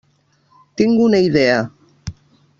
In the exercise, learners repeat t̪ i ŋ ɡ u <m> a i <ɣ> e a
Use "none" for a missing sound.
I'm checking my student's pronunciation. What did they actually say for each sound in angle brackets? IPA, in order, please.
n, ð

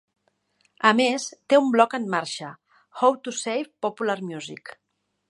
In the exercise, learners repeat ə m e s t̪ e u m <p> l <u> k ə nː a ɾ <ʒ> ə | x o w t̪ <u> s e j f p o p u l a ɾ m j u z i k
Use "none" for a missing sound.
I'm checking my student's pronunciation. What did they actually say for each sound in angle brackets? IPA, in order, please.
b, ɔ, ʃ, u

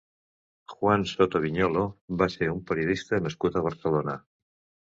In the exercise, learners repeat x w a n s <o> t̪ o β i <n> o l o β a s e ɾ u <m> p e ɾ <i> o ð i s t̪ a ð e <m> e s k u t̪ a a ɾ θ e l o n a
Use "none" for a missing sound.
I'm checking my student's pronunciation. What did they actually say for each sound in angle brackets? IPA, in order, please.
o, ɲ, m, j, m

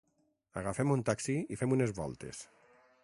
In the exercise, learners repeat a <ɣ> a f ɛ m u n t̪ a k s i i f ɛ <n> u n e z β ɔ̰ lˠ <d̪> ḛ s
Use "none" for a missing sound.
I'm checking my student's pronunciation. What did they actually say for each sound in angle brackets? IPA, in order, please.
ɣ, m, t̪

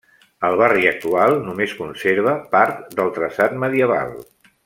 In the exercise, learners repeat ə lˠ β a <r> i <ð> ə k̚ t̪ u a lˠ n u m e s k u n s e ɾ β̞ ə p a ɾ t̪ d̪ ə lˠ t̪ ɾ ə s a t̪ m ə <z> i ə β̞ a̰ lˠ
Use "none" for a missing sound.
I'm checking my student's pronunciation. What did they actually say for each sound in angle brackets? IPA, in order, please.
r, none, ð

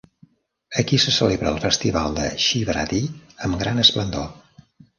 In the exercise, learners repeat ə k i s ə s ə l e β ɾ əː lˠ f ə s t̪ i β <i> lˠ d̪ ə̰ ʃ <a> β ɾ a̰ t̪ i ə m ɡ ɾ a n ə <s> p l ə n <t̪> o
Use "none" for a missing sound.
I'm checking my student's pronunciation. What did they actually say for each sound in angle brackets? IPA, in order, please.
a, i, s, d̪

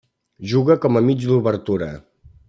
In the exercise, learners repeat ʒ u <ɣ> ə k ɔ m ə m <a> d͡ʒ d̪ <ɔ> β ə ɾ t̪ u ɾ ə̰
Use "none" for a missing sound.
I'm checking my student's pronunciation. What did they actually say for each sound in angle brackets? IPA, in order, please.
ɣ, i, u

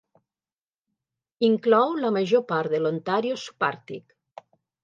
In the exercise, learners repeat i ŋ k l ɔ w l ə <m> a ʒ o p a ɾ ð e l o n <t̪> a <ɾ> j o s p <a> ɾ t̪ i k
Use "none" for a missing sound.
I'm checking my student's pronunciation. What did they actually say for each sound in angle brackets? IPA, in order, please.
m, t̪, ɾ, a

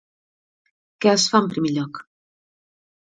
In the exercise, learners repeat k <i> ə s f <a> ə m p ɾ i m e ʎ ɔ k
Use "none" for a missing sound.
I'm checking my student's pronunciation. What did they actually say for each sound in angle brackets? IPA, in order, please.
ɛ, a

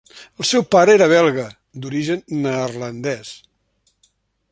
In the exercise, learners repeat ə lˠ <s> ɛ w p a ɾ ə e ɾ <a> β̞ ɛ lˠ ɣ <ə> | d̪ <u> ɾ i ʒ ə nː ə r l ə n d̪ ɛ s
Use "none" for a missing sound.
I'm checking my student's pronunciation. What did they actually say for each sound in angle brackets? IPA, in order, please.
s, ə, ə, u

